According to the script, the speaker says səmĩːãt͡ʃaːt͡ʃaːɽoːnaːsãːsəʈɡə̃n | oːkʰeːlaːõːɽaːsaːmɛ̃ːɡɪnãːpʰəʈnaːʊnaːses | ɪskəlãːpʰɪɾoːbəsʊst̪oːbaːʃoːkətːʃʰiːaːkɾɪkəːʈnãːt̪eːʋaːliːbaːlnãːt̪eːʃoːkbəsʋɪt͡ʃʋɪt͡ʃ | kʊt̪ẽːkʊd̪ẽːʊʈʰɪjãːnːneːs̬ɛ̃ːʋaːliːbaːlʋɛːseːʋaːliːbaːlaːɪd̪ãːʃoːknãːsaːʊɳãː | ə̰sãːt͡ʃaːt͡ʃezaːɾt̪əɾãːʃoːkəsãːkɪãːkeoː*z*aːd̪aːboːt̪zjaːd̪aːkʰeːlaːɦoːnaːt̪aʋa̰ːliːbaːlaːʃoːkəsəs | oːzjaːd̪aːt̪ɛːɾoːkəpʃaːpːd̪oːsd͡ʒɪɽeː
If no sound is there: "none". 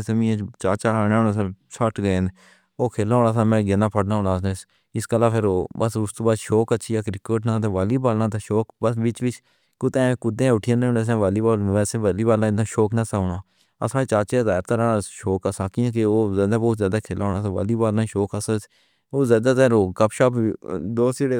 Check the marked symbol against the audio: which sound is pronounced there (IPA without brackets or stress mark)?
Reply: z